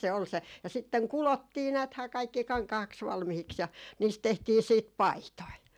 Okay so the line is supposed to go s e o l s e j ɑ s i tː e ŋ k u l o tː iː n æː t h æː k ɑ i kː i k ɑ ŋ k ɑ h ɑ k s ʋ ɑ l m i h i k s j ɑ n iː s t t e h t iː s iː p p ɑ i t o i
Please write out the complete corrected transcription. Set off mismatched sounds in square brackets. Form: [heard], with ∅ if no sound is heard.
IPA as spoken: s e o l s e j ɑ s i tː e ŋ k u l o tː iː n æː t h æː k ɑ i kː i k ɑ ŋ k ɑ h ɑ k s ʋ ɑ l m i h i k s j ɑ n iː s t t e h t iː s iː [t] p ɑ i t o i

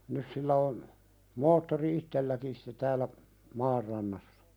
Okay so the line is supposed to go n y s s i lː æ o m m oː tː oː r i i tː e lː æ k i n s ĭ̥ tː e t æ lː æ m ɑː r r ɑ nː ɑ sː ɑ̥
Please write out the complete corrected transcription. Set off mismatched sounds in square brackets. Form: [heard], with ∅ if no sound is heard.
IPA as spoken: n y s s i lː æ o [n] m oː tː [o] r i i tː e lː æ k i n s ĭ̥ tː e t [æː] lː æ m ɑː r r ɑ nː ɑ sː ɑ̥

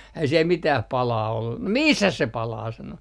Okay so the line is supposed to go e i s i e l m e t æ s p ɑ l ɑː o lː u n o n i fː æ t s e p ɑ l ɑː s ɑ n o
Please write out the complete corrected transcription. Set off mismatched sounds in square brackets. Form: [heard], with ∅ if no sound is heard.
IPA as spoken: [æ] i s i e l m [i] t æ [h] p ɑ l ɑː o lː u n o [m] i [sː] æ [s] s e p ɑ l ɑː s ɑ n o

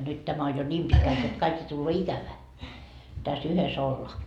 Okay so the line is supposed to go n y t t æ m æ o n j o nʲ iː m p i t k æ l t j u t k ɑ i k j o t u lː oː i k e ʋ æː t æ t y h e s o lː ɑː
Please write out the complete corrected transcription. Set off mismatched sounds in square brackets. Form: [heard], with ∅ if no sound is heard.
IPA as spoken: n y t t æ m æ o n j o nʲ iː m p i t k æ l t j [o] t k ɑ i k j o t u lː oː i k [æ] ʋ æː t æ [s] y h e s o lː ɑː

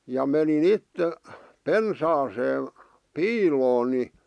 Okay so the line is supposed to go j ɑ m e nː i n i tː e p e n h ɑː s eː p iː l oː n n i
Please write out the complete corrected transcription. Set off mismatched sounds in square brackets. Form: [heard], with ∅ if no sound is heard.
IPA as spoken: j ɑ m e [n] i n i tː e p e n [s] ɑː s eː p iː l oː n n i

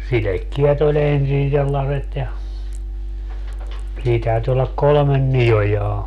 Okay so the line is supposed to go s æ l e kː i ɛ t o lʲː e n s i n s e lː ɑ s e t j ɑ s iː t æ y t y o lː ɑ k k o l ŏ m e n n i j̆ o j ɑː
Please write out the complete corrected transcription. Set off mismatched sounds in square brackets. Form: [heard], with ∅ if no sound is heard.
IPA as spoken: s [i] l e kː i ɛ t o [lʲ] e n s i n s e lː ɑ s e t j ɑ s iː t æ y t y o lː ɑ k k o l ŏ m e n n i j̆ o j ɑː

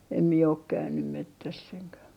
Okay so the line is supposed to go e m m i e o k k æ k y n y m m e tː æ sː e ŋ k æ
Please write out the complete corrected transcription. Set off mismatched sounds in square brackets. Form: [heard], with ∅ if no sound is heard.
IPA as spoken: e m m i e o k k æ [∅] y n y m m e tː æ sː e ŋ k æ

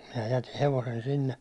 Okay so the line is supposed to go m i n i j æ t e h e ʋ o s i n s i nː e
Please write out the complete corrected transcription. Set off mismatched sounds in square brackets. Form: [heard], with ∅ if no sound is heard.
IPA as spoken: m i n [æ] j æ t [i] h e ʋ o s [e] n s i nː e

